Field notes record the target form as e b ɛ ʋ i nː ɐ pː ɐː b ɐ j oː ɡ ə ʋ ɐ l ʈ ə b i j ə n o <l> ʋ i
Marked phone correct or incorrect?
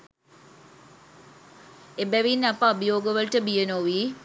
incorrect